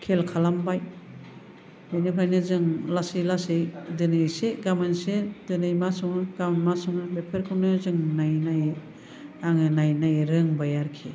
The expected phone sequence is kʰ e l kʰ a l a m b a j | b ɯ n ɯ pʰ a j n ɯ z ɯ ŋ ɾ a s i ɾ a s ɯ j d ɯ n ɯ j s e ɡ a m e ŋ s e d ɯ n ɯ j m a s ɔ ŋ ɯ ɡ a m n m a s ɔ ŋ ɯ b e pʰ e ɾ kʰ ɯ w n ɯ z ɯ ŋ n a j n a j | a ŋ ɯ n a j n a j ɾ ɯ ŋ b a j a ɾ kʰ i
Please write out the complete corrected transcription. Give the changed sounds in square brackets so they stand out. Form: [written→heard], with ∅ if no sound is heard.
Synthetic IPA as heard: kʰ e l kʰ a l a m b a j | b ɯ n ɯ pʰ a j n ɯ z ɯ ŋ [ɾ→l] a s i [ɾ→l] a s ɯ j d ɯ n ɯ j s e ɡ a m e [ŋ→n] s e d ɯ n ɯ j m a s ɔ ŋ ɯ ɡ a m n m a s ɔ ŋ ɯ b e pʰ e ɾ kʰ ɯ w n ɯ z ɯ ŋ n a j n a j | a ŋ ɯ n a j n a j ɾ ɯ ŋ b a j a ɾ kʰ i